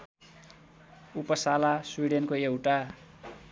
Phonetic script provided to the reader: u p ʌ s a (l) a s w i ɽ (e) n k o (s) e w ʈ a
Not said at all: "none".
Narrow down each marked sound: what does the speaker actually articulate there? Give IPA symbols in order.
l, e, none

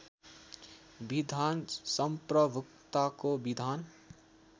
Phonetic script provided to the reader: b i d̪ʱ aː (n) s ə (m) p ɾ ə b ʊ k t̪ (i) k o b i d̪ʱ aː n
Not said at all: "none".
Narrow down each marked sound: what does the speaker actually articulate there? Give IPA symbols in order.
n, m, a

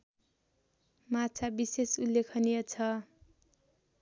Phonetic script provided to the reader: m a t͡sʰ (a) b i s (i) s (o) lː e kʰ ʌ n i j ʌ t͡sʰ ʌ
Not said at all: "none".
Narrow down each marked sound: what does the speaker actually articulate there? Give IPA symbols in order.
a, e, u

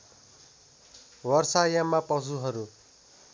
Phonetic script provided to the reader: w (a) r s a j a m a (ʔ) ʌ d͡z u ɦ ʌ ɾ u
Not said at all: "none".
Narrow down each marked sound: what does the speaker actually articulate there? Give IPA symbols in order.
ʌ, p

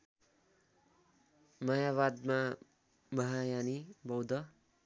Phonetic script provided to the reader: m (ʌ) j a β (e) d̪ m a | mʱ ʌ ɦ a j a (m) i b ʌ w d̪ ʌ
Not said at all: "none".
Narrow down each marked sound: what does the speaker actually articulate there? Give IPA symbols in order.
ʌ, a, n

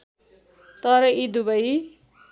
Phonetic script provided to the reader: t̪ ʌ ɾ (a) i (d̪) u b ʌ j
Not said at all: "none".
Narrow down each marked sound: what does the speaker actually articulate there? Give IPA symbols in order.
ʌ, d̪

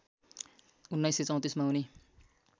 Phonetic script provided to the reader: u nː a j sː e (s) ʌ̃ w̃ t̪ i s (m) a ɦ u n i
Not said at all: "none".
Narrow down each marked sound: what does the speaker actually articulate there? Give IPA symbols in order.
t͡s, m

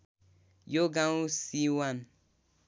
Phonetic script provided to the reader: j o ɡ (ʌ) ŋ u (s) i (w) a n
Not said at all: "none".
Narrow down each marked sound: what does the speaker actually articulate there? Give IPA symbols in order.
a, s, w

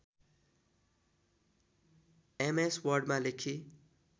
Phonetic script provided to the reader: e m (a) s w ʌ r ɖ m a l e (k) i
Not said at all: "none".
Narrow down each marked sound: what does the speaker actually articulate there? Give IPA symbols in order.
e, kʰ

